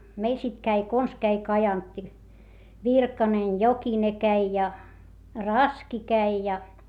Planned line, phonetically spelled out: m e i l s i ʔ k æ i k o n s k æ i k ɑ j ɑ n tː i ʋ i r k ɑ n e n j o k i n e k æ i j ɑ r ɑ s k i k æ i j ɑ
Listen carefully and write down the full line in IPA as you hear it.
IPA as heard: m e i l s i t k æ i k o n s k æ i k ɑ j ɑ n tː i ʋ i r k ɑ n e n j o k i n e k æ i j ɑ r ɑ s k i k æ i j ɑ